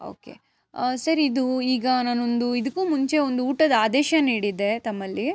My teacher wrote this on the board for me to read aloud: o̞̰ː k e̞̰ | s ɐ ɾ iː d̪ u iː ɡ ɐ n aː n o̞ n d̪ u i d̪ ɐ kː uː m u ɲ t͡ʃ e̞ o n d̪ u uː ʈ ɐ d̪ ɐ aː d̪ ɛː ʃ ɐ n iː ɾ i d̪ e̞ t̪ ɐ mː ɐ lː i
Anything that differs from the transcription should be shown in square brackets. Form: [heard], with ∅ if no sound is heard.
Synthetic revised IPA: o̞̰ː k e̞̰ | s ɐ ɾ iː d̪ u iː ɡ ɐ n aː n o̞ n d̪ u i d̪ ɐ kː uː m u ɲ t͡ʃ e̞ o n d̪ u uː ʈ ɐ d̪ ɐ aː d̪ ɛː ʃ ɐ n iː [ɽ] i d̪ e̞ t̪ ɐ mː ɐ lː i